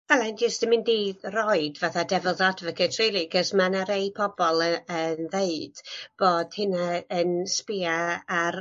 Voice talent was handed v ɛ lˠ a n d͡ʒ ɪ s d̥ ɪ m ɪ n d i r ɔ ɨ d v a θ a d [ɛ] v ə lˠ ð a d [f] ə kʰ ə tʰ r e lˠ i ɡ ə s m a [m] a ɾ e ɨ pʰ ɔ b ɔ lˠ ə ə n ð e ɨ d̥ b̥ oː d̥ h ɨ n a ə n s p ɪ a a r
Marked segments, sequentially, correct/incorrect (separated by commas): correct, incorrect, incorrect